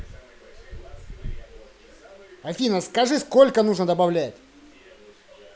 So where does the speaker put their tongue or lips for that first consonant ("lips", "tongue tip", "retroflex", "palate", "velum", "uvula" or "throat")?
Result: lips